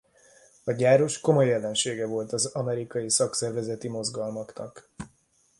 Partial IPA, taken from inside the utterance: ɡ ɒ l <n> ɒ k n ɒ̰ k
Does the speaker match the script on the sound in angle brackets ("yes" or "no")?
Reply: no